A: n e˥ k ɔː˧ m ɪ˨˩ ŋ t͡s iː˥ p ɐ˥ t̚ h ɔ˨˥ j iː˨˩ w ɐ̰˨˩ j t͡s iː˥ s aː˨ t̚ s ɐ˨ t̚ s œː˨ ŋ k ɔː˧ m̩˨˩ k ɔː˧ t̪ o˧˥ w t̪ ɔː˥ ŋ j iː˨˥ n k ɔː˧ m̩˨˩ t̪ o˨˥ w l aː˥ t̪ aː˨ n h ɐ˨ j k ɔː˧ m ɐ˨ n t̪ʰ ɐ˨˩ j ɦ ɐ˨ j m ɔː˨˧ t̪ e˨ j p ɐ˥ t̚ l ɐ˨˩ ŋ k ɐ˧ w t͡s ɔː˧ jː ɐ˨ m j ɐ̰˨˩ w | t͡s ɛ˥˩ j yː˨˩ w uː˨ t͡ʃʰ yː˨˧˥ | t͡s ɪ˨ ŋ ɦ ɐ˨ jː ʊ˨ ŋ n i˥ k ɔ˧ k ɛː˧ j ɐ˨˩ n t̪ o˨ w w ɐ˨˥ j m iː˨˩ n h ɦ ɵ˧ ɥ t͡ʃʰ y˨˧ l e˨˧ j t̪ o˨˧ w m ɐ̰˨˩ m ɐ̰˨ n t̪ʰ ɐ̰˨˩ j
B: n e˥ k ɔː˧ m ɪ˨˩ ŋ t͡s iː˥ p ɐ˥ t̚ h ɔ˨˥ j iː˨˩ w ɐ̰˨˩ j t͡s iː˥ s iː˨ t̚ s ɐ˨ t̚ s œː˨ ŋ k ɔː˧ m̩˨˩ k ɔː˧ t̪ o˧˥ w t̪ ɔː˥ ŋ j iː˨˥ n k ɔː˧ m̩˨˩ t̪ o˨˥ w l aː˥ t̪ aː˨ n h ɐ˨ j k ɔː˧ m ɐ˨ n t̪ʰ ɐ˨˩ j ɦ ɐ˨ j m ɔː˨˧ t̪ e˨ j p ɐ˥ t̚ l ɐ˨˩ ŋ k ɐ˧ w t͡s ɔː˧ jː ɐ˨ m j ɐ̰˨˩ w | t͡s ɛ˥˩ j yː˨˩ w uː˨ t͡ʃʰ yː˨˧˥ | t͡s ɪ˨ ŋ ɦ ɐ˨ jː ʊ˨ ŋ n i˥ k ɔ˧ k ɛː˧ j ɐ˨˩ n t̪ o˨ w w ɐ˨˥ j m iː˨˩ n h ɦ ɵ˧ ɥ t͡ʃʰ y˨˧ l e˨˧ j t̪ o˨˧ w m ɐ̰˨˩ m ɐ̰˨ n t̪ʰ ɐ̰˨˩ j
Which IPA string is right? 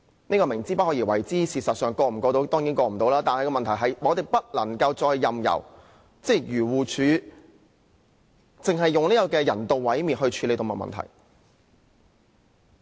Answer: B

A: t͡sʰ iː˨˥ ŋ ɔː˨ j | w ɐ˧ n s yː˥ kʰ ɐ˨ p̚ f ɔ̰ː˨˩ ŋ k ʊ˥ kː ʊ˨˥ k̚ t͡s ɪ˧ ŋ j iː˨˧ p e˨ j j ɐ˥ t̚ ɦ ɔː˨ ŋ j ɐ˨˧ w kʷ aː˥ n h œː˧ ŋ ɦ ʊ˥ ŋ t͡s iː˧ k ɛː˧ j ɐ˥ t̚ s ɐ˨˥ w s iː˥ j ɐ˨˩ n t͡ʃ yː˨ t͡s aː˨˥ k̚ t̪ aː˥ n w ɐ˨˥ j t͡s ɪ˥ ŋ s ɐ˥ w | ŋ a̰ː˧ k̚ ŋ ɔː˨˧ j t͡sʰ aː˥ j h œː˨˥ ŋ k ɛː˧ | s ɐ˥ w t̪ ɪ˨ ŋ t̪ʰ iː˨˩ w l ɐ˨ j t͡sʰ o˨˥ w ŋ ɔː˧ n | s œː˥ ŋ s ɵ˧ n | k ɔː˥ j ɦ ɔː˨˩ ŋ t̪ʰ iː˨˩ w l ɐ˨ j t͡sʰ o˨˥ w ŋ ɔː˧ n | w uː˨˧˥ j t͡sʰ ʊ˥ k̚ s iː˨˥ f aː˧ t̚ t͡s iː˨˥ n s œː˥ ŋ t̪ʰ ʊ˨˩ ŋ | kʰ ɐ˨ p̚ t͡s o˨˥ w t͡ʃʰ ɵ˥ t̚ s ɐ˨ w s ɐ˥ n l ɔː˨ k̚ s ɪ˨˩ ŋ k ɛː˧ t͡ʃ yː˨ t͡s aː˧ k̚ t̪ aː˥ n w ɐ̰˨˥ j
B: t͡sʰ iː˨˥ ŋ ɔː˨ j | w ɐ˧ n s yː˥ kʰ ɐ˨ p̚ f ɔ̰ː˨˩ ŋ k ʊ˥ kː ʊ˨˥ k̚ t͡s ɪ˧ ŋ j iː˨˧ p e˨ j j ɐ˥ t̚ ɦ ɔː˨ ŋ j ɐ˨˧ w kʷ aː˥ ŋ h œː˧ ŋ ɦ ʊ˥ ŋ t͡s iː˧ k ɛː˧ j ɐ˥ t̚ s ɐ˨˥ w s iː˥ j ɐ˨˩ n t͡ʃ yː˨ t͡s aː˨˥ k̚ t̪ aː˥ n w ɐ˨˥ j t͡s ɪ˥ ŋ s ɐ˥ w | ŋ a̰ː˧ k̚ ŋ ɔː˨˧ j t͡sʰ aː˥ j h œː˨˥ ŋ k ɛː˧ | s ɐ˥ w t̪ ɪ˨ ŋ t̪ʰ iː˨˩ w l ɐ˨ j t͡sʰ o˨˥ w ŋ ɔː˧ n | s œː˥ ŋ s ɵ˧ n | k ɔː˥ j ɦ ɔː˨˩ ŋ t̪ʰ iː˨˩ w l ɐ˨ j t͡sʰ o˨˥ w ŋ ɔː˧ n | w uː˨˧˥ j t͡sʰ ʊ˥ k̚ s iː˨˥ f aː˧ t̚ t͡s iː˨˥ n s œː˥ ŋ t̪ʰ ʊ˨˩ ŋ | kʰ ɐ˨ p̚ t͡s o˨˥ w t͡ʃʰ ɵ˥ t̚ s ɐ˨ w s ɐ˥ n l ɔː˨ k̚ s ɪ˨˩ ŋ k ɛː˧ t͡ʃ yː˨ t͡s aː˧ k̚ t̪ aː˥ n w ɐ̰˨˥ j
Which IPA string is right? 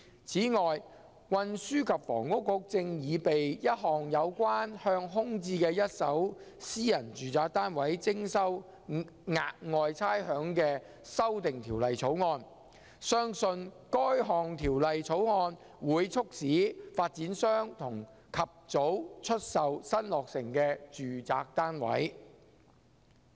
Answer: A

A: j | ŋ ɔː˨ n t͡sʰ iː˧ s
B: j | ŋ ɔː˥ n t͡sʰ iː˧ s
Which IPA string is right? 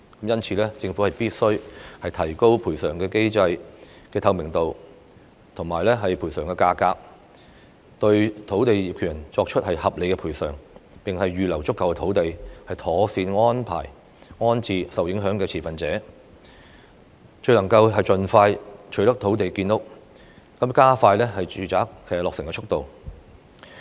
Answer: B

